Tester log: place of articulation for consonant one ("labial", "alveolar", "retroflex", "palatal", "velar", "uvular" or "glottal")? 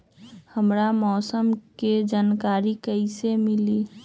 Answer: glottal